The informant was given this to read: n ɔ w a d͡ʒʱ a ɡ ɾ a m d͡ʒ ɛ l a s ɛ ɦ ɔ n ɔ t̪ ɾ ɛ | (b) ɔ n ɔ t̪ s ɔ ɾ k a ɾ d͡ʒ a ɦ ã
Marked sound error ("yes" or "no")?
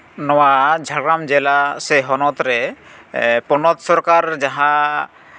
yes